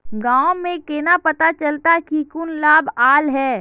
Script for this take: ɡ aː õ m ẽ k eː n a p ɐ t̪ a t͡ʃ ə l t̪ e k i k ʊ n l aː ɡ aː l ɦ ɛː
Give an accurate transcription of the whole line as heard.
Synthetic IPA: ɡ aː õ m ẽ k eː n a p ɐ t̪ a t͡ʃ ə l t̪ a k i k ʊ n l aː b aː l ɦ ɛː